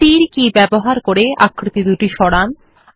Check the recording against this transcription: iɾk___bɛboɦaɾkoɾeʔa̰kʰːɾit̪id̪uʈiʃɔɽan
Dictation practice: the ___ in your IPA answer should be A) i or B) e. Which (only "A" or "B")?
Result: A